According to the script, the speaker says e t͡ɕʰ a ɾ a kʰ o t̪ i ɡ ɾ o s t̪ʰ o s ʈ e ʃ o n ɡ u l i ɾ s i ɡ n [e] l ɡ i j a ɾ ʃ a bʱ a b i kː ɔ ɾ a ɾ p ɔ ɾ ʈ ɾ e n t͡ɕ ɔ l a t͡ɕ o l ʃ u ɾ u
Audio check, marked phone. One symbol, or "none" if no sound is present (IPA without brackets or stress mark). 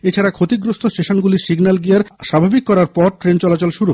a